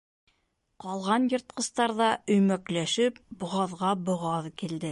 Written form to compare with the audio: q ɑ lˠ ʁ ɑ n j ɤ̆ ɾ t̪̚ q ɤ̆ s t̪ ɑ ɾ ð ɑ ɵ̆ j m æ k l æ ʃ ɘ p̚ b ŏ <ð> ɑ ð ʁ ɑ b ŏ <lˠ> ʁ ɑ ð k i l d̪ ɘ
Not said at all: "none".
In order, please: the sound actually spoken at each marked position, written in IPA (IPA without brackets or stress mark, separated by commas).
ʁ, none